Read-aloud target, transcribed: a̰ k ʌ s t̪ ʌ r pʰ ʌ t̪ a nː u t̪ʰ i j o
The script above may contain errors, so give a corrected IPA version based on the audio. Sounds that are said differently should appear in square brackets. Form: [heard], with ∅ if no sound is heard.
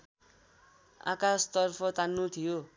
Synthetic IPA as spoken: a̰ k [a] s t̪ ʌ r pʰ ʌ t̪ a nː u t̪ʰ i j o